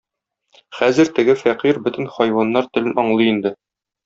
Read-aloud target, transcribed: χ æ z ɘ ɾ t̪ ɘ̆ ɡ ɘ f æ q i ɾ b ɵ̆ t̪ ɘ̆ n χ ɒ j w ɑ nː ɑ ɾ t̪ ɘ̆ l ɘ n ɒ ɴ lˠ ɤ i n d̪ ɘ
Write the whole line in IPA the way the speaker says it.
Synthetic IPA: χ æ z ɘ ɾ t̪ ɘ̆ ɡ ɘ f æ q i ɾ b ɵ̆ t̪ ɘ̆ n χ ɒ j w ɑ nː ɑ ɾ t̪ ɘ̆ l ɘ n ɒ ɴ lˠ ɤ i n d̪ ɘ